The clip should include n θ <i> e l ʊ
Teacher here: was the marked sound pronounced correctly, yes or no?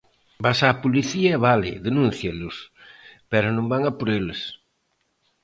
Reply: no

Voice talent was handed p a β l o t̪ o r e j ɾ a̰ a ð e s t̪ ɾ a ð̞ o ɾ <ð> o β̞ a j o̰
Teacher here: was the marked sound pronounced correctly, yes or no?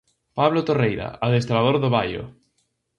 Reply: yes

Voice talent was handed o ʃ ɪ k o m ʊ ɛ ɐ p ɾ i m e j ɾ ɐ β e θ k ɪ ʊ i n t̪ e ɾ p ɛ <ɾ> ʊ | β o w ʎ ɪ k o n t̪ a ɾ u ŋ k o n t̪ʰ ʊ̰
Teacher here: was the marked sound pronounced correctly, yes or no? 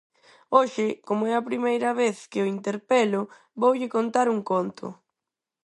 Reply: no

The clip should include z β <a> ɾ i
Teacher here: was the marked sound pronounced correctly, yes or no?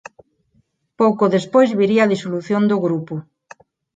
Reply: no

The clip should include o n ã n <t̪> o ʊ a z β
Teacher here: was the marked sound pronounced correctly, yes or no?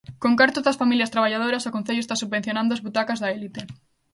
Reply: no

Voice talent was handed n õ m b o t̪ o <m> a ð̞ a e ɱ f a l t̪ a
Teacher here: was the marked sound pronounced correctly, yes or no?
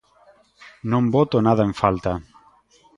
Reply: no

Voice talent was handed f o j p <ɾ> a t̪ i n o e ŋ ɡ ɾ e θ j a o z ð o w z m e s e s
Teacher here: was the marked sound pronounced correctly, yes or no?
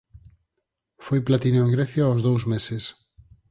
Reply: no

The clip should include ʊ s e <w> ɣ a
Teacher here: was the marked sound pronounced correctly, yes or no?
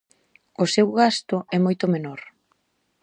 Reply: yes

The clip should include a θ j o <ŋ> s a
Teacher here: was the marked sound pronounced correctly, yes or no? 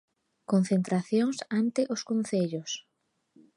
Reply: yes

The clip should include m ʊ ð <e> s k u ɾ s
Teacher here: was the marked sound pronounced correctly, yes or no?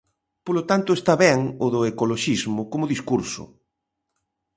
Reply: no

